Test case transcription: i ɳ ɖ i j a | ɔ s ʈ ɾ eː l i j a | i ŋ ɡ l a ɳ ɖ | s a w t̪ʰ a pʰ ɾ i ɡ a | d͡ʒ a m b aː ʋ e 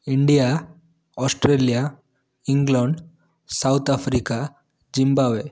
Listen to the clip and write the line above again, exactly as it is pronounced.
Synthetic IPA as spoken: i ɳ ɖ i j a | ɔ s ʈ ɾ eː l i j a | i ŋ ɡ l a ɳ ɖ | s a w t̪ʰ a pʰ ɾ i k a | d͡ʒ i m b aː ʋ e